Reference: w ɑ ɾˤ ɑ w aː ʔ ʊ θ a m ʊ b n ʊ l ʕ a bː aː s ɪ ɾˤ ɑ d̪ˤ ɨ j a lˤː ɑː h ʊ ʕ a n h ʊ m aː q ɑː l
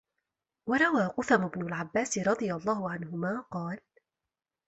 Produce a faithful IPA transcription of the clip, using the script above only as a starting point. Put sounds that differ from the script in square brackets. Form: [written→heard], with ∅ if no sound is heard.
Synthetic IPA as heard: w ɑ ɾˤ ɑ w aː [ʔ→q] ʊ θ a m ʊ b n ʊ l ʕ a bː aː s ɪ ɾˤ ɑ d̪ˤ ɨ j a lˤː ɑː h ʊ ʕ a n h ʊ m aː q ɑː l